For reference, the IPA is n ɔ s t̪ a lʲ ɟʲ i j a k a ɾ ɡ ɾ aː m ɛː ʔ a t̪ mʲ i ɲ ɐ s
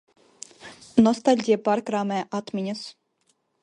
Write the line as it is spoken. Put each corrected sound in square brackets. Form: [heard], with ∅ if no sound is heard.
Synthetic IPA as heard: n ɔ s t̪ a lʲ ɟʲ i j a [p] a ɾ [k] ɾ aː m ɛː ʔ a t̪ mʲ i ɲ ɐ s